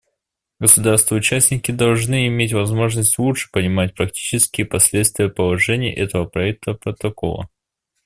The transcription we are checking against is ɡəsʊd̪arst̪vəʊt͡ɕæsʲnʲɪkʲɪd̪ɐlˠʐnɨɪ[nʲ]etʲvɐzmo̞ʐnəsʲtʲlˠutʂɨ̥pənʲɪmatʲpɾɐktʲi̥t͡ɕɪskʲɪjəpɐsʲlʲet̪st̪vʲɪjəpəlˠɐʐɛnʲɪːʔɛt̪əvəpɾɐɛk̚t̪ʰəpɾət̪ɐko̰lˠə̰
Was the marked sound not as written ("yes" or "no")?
yes